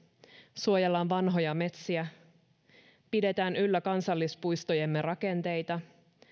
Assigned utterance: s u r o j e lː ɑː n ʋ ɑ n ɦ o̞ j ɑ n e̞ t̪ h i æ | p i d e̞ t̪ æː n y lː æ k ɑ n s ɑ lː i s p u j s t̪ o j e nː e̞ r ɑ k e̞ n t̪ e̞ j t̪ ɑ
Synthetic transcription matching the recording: s u o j e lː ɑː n ʋ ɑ n ɦ o̞ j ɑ m e̞ t̪ s i æ | p i d e̞ t̪ æː n y lː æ k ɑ n s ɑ lː i s p u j s t̪ o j e mː e̞ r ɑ k e̞ n t̪ e̞ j t̪ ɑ